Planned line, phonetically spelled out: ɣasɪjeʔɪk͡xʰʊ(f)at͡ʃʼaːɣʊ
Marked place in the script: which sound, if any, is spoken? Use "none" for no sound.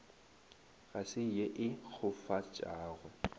f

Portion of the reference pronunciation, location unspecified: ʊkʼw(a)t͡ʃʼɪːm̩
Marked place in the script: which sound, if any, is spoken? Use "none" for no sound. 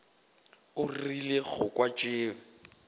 a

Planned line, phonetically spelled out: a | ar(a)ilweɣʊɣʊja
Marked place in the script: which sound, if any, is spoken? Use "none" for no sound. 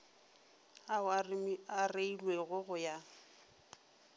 e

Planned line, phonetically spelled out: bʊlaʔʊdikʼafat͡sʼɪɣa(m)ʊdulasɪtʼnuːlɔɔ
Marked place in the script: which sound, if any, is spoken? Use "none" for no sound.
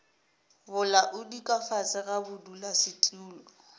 b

